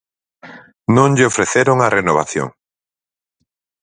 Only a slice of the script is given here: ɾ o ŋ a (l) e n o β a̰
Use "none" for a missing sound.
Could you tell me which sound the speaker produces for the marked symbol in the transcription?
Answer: r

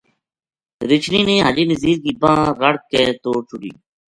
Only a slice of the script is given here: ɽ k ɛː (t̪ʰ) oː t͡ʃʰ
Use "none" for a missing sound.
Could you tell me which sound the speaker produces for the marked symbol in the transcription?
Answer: t̪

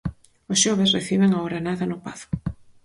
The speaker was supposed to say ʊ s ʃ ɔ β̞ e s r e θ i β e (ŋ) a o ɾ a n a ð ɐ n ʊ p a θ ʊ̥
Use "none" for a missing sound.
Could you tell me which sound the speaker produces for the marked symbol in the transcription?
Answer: ŋ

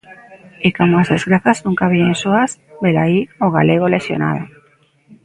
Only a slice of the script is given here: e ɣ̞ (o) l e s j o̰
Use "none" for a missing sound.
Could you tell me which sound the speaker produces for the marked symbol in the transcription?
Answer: o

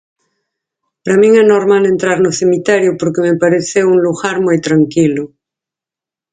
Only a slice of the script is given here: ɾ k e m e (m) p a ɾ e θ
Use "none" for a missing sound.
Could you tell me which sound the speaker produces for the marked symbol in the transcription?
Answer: none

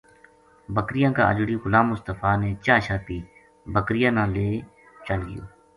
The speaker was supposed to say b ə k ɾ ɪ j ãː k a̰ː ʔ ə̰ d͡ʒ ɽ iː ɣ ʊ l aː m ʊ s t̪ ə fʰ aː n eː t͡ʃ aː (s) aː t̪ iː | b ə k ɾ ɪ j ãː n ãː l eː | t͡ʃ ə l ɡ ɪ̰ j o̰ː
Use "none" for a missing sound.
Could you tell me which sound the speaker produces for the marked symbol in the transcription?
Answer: ʃ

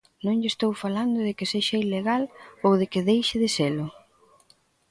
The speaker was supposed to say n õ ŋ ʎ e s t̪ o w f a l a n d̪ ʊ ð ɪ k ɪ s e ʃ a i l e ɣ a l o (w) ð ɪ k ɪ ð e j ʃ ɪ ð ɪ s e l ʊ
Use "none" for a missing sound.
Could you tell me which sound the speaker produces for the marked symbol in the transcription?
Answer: w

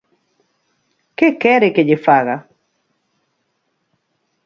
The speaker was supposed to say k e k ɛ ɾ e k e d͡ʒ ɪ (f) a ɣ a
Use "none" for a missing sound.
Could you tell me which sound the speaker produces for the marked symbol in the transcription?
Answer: f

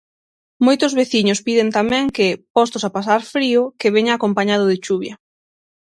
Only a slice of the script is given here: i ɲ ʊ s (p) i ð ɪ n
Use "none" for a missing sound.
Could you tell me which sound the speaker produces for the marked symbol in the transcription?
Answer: p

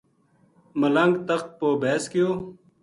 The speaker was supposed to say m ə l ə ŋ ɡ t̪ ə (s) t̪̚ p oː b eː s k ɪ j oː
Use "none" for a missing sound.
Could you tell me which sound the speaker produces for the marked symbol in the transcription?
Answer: x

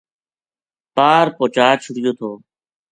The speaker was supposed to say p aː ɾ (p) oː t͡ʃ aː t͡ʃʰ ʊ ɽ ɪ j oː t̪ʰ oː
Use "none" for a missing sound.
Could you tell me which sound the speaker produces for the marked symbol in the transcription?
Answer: p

